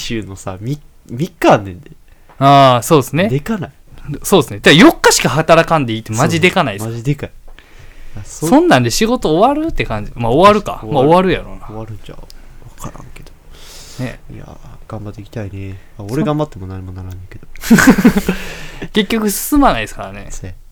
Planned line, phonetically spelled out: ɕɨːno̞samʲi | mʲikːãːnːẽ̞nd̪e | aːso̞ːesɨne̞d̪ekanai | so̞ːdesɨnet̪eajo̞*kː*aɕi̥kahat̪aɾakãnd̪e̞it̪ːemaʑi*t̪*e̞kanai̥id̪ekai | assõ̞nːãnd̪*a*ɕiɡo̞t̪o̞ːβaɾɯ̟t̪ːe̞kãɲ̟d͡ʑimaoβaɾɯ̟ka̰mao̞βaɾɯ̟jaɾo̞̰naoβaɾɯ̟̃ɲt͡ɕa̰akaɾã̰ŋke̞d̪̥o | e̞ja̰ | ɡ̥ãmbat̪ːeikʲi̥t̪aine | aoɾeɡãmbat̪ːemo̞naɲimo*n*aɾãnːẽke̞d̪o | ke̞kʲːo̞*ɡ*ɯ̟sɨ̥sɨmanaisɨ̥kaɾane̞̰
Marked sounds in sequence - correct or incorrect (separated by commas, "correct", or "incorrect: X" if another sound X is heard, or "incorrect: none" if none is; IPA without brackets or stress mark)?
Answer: correct, incorrect: d̪, incorrect: e, correct, incorrect: k